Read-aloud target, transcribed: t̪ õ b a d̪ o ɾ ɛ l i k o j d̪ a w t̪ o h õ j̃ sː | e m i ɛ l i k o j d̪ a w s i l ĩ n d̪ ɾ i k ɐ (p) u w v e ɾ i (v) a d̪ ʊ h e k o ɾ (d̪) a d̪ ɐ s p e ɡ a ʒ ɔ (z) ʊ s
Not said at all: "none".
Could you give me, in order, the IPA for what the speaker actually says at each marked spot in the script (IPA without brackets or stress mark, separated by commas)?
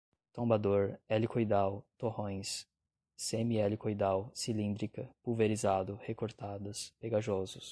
p, z, t̪, z